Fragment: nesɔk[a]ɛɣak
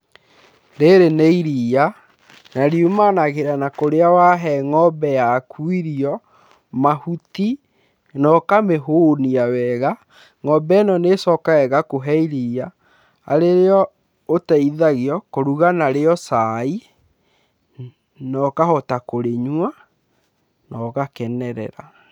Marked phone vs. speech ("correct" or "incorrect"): correct